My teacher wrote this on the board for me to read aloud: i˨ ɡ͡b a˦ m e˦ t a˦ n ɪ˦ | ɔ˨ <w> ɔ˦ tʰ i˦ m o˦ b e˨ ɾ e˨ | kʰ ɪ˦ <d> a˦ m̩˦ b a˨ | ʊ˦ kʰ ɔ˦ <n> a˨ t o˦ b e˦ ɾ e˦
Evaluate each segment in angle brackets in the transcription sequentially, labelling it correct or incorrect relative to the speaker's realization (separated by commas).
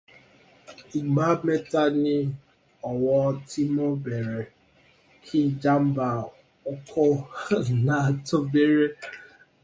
correct, incorrect, correct